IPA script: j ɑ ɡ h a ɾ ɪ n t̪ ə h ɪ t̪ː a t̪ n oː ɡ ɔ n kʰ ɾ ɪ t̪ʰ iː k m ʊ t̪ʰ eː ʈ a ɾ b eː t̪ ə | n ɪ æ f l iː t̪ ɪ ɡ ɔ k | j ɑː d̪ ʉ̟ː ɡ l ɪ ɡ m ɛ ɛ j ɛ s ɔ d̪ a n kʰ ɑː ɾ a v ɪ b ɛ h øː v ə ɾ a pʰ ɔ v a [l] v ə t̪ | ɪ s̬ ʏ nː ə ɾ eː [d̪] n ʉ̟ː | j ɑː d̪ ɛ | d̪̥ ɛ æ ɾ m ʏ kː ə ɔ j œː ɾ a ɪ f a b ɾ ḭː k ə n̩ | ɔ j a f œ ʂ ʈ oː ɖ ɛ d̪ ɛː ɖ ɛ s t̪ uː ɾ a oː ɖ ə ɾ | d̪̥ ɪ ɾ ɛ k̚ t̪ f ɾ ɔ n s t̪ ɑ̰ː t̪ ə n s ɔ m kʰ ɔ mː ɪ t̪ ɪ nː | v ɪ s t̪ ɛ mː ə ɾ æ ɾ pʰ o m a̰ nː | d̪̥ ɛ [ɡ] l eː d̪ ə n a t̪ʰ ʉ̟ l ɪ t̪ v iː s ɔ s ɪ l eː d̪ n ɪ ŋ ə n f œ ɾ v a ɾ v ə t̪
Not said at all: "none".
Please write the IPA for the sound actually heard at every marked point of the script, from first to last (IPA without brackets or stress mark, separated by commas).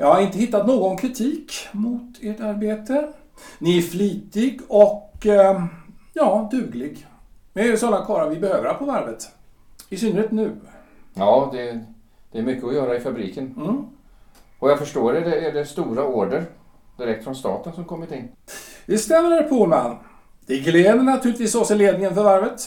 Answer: ɾ, t̪, ɡ